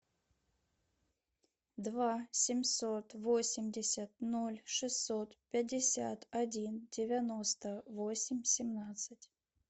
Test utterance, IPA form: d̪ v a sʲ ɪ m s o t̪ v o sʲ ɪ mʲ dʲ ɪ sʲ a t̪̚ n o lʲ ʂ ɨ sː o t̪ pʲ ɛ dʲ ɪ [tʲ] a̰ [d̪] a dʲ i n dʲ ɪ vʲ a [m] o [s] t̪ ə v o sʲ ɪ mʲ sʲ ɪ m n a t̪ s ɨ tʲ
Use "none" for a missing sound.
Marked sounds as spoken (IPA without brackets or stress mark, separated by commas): sʲ, t̪, n, s